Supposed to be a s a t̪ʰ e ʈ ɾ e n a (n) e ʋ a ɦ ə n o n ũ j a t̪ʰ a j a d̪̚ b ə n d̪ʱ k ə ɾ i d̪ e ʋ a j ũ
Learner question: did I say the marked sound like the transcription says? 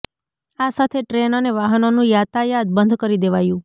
yes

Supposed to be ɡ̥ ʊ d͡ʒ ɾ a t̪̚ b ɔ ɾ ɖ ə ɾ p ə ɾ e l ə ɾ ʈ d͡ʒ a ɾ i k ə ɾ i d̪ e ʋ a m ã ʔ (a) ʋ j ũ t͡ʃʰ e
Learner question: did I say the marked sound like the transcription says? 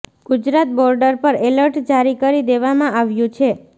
yes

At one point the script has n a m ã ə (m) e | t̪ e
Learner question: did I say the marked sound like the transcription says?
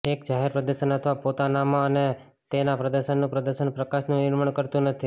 no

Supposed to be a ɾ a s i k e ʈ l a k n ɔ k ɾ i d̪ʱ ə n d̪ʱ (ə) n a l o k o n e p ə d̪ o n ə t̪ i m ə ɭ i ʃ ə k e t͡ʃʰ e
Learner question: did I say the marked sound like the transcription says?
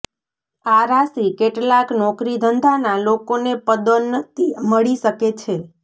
no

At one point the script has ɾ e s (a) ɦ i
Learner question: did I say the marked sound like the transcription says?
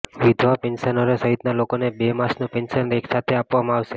no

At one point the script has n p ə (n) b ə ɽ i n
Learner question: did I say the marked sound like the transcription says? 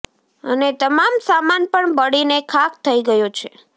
no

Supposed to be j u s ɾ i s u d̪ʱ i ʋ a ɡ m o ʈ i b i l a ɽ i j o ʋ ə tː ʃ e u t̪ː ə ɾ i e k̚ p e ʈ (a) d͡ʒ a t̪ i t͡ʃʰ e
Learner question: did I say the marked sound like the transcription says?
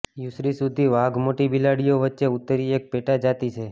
yes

